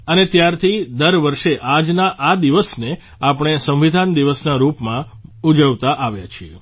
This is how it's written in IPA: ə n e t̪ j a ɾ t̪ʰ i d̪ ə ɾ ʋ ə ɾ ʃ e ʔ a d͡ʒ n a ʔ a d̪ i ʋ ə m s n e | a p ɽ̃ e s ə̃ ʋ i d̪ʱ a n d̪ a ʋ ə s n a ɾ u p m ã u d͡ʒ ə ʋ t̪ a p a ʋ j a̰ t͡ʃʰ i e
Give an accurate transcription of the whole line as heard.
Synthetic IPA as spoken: ə n e t̪ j a ɾ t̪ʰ i d̪ ə ɾ ʋ ə ɾ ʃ e ʔ a d͡ʒ n a ʔ a d̪ i ʋ ə s n e | a p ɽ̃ e s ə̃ ʋ i d̪ʱ a n d̪ i ʋ ə s n a ɾ u p m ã u d͡ʒ ə ʋ t̪ a ʔ a ʋ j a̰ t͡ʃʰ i e

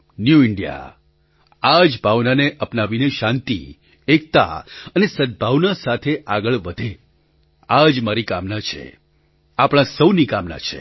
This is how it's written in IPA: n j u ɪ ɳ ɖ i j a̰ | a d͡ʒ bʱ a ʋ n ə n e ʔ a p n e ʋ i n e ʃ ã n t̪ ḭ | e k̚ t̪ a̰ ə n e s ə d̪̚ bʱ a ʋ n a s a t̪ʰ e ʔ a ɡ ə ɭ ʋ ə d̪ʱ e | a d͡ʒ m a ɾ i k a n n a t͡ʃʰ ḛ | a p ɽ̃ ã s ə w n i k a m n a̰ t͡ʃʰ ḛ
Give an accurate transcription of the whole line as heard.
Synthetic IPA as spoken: n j u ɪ ɳ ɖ i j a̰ | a d͡ʒ bʱ a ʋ n a n e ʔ ə p n a ʋ i n e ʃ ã n t̪ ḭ | e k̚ t̪ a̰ ə n e s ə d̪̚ bʱ a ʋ n a s a t̪ʰ e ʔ a ɡ ə ɭ ʋ ə d̪ʱ e | a d͡ʒ m a ɾ i k a m n a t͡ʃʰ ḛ | a p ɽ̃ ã s ə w n i k a m n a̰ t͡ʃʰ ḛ

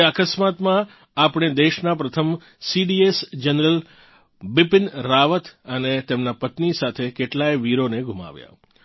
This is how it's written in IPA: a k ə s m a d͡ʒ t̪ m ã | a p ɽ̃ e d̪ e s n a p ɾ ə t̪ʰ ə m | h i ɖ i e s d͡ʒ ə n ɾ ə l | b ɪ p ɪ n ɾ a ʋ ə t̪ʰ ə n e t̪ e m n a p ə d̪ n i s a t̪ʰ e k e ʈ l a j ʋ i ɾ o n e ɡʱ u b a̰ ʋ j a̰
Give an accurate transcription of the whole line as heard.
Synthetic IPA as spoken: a k ə s m a t̪ m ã | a p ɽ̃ e d̪ e ʃ n a p ɾ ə t̪ʰ ə m | s i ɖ i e s d͡ʒ ə n ɾ ə l | b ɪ p ɪ n ɾ a ʋ ə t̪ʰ ə n e t̪ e m n a p ə t̪ n i s a t̪ʰ e k e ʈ l a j ʋ i ɾ o n e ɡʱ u m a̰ ʋ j a̰

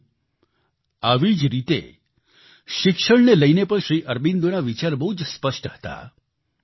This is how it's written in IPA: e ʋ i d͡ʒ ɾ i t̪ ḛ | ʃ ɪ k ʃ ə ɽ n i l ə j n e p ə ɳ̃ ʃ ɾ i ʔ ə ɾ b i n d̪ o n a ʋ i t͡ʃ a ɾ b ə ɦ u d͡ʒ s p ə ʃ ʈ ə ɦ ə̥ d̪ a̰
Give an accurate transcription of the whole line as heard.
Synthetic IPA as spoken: a ʋ i d͡ʒ ɾ i t̪ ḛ | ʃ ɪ k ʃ ə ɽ n e l ə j n e p ə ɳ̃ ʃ ɾ i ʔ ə ɾ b i n d̪ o n a ʋ i t͡ʃ a ɾ b ə ɦ u d͡ʒ s p ə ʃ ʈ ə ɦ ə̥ t̪ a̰

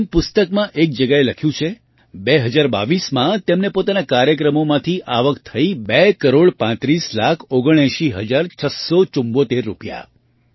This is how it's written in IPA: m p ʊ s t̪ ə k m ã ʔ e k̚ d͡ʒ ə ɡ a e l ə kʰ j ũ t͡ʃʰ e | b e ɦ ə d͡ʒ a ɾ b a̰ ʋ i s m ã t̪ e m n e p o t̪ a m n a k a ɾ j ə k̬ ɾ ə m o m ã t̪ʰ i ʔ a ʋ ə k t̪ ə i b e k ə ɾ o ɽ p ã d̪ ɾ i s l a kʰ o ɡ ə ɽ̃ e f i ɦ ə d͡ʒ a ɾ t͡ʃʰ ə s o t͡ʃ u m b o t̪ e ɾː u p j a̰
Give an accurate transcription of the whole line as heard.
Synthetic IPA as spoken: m p ʊ s t̪ ə k m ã ʔ e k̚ d͡ʒ ə ɡ a e l ə kʰ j ũ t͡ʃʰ e | b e ɦ ə d͡ʒ a ɾ b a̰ ʋ i s m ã t̪ e m n e p o t̪ a n a k a ɾ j ə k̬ ɾ ə m o m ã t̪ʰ i ʔ a ʋ ə k t̪ʰ ə i b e k ə ɾ o ɽ p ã t̪ ɾ i s l a kʰ o ɡ ə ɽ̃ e ʃ i ɦ ə d͡ʒ a ɾ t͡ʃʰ ə s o t͡ʃ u m b o t̪ e ɾː u p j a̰

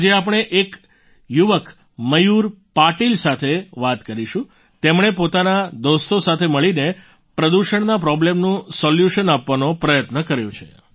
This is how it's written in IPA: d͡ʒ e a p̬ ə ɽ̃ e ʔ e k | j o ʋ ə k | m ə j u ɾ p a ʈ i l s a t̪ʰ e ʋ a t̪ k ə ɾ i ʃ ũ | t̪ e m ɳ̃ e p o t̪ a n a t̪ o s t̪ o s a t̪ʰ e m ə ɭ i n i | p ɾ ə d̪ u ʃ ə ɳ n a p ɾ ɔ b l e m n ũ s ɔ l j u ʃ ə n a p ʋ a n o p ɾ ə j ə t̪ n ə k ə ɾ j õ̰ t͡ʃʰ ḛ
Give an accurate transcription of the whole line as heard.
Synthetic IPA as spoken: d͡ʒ e a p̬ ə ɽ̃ e ʔ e k | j u ʋ ə k | m ə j u ɾ p a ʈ i l s a t̪ʰ e ʋ a t̪ k ə ɾ i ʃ ũ | t̪ e m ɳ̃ e p o t̪ a n a d̪ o s t̪ o s a t̪ʰ e m ə ɭ i n e | p ɾ ə d̪ u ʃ ə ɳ n a p ɾ ɔ b l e m n ũ s ɔ l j u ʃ ə n a p ʋ a n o p ɾ ə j ə t̪ n ə k ə ɾ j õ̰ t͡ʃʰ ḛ

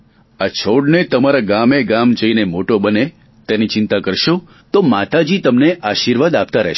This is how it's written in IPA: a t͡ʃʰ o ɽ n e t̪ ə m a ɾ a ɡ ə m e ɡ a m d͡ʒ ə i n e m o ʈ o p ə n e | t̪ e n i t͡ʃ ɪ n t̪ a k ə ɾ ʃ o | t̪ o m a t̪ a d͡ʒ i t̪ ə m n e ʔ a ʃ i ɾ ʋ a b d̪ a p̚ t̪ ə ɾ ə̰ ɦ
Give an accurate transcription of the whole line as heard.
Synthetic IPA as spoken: a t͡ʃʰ o ɽ n e t̪ ə m a ɾ a ɡ a m e ɡ a m d͡ʒ ə i n e m o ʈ o b ə n e | t̪ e n i t͡ʃ ɪ n t̪ a k ə ɾ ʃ o | t̪ o m a t̪ a d͡ʒ i t̪ ə m n e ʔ a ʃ i ɾ ʋ a d̪ a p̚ t̪ a ɾ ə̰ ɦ

